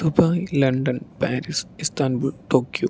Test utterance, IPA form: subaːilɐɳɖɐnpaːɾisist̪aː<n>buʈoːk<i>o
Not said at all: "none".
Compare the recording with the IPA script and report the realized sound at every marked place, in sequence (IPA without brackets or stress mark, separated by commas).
n, j